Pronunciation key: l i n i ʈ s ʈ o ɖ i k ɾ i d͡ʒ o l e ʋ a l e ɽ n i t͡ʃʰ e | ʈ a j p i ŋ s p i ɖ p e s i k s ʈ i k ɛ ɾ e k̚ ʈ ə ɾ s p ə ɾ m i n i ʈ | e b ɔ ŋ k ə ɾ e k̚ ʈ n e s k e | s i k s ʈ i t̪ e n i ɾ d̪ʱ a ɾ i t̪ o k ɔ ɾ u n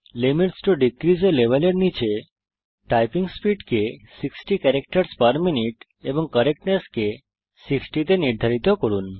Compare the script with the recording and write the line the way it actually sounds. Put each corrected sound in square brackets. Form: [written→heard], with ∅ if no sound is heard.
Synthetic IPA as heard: l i [n→m] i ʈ s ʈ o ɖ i k ɾ i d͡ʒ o l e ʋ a l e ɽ n i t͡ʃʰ e | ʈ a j p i ŋ s p i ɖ [p→k] e s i k s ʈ i k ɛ ɾ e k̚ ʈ ə ɾ s p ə ɾ m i n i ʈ | e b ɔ ŋ k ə ɾ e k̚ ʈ n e s k e | s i k s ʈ i t̪ e n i ɾ d̪ʱ a ɾ i t̪ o k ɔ ɾ u n